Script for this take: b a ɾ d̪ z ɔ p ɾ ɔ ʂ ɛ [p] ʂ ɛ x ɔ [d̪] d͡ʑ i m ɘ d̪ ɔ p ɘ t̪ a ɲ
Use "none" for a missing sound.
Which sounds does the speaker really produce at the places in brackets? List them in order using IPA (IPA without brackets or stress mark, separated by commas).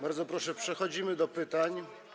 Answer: p, none